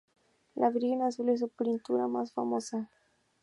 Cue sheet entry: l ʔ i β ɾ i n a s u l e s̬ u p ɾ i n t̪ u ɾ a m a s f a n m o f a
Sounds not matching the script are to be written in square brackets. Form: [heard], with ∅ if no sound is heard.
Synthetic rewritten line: l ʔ [a] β ɾ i n a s u l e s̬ u p ɾ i n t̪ u ɾ a m a s f a [∅] m o [s] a